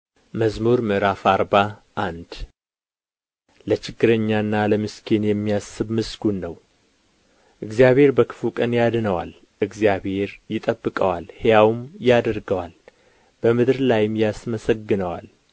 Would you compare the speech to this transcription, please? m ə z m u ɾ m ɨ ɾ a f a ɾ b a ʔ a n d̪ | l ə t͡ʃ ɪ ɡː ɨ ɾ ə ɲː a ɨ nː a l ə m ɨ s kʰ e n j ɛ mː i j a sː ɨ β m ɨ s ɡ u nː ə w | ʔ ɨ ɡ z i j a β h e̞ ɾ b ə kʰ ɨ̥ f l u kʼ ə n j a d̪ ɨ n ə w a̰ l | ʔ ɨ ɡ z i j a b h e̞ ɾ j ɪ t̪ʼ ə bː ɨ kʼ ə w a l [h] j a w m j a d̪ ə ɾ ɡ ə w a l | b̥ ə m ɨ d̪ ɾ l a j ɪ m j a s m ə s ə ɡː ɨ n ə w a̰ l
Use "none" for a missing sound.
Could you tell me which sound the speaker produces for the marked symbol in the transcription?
h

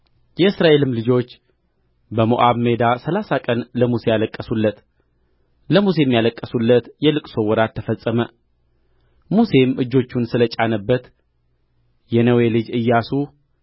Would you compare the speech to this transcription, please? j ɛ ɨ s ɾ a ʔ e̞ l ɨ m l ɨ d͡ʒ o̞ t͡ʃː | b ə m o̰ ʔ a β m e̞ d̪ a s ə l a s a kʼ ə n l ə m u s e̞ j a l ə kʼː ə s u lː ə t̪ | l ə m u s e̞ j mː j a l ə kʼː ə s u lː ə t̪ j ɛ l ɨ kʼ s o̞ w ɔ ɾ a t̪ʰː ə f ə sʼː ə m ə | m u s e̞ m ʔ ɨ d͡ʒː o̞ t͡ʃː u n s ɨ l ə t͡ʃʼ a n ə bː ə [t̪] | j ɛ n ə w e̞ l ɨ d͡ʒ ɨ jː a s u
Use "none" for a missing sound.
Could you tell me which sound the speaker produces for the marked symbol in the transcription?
t̪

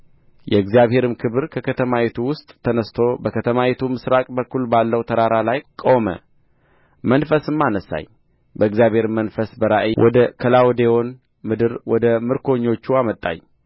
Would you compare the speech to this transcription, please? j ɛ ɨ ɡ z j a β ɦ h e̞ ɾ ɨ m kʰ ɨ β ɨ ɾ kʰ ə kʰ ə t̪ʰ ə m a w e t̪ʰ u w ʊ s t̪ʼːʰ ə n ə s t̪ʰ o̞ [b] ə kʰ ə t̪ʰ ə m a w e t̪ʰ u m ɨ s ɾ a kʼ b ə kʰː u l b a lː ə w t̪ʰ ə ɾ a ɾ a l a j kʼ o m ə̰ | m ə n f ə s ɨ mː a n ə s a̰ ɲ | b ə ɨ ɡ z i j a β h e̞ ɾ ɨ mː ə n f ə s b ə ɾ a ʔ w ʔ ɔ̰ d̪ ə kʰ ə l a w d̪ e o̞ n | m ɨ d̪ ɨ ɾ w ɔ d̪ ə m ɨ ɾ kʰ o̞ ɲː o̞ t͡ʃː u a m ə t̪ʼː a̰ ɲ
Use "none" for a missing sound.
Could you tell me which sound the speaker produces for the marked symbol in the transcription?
b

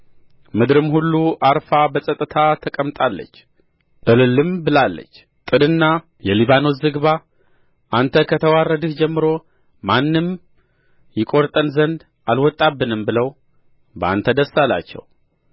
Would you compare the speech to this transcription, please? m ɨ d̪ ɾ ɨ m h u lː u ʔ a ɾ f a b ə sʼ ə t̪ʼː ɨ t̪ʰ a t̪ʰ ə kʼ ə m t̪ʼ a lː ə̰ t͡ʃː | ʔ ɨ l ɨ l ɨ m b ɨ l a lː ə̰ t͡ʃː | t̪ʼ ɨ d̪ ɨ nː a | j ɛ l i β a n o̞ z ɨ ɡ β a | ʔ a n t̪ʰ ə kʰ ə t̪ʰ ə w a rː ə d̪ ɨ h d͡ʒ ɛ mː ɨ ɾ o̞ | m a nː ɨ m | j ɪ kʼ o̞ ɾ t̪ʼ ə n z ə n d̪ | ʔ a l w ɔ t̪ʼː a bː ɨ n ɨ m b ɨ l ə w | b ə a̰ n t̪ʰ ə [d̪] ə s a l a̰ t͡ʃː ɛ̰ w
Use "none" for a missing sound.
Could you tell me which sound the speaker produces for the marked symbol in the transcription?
d̪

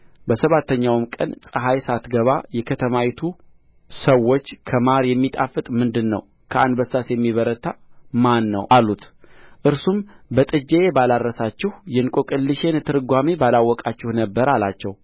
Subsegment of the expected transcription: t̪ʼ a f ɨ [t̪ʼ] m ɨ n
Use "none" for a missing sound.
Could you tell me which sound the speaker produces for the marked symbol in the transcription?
t̪ʼ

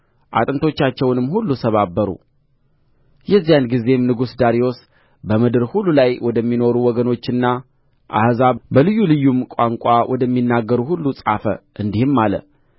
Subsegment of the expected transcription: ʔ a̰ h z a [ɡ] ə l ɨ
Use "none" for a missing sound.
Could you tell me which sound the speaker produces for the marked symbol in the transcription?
b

